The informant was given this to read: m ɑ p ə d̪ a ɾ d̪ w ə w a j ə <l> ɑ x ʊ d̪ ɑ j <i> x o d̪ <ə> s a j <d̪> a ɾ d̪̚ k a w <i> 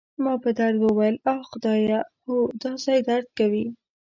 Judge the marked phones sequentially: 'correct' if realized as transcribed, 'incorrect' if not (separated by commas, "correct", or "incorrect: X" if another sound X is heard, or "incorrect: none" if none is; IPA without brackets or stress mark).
correct, incorrect: a, incorrect: ɑ, correct, correct